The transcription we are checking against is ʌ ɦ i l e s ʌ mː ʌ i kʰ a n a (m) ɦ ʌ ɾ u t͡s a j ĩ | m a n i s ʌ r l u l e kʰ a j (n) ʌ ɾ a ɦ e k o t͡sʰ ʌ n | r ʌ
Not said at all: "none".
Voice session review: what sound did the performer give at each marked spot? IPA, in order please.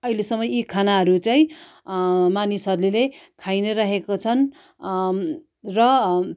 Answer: none, n

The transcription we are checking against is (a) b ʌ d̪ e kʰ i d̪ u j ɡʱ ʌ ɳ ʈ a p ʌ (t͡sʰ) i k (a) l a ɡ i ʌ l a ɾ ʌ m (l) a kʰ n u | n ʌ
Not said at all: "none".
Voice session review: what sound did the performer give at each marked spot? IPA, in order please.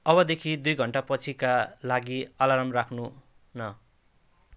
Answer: ʌ, t͡sʰ, a, r

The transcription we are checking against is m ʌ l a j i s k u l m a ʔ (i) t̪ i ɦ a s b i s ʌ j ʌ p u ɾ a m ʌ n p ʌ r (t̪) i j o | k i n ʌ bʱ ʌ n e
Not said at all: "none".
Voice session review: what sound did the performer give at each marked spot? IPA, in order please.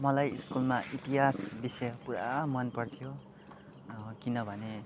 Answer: i, t̪ʰ

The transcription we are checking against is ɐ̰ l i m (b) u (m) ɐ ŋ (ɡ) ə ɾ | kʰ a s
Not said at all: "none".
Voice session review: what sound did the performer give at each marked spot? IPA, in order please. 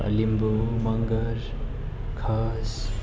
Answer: b, m, ɡ

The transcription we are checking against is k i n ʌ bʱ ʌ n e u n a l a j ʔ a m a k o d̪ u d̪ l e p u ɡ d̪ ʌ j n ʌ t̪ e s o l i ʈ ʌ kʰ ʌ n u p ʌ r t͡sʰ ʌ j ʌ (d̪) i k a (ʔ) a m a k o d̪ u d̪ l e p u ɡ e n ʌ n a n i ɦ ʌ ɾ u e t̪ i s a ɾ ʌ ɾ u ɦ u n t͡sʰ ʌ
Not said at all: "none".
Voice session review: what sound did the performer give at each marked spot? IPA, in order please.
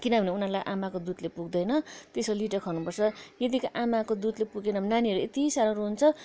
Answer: d̪, ʔ

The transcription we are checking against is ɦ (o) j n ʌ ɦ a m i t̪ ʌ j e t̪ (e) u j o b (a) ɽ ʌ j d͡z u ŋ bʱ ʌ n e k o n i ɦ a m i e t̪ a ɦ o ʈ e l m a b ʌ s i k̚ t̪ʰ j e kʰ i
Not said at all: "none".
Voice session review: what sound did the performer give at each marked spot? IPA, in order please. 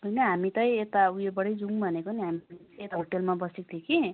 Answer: o, a, ʌ

